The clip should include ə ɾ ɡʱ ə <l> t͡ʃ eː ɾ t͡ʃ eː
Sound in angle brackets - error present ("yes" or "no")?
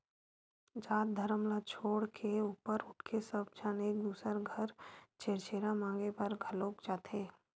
yes